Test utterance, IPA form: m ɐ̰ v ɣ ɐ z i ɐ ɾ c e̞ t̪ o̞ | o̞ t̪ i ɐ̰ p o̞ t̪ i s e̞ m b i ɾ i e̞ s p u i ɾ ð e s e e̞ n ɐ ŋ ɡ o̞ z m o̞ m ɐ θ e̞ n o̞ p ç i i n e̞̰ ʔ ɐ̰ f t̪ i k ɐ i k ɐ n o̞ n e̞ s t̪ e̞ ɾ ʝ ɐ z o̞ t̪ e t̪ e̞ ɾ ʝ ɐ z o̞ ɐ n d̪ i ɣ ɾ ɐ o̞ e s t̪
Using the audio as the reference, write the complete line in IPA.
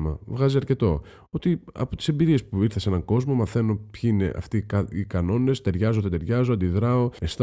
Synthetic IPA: m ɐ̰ v ɣ ɐ z i ɐ ɾ c e̞ t̪ o̞ | o̞ t̪ i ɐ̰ p o̞ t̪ i s e̞ m b i ɾ i e̞ s p u i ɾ θ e s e e̞ n ɐ ŋ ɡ o̞ z m o̞ m ɐ θ e̞ n o̞ p ç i i n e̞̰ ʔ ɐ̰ f t̪ i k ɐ i k ɐ n o̞ n e̞ s t̪ e̞ ɾ ʝ ɐ z o̞ t̪ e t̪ e̞ ɾ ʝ ɐ z o̞ ɐ n d̪ i ð ɾ ɐ o̞ e s t̪